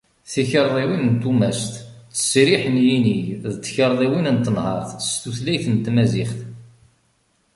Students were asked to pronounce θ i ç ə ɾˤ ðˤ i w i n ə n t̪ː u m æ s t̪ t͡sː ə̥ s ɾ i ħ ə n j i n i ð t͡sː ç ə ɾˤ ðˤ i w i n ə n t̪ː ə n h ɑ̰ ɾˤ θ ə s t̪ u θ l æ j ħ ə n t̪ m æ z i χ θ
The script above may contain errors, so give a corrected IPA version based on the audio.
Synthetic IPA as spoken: θ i ç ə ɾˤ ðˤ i w i n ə n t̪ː u m æ s t̪ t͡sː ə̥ s ɾ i ħ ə n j i n i ð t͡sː ç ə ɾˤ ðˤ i w i n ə n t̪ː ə n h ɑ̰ ɾˤ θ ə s t̪ u θ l æ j θ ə n t̪ m æ z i χ θ